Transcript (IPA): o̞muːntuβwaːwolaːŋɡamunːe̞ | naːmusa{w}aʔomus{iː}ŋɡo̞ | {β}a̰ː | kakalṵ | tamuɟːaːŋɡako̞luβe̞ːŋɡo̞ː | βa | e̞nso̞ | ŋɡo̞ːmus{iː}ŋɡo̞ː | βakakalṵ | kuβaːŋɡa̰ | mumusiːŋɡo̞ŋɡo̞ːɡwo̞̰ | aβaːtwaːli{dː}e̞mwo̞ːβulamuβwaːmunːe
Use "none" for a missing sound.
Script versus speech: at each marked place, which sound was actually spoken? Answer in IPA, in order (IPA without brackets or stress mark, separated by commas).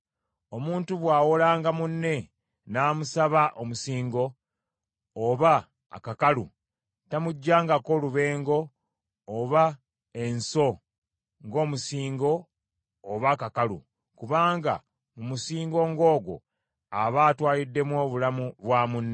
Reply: β, iː, β, iː, dː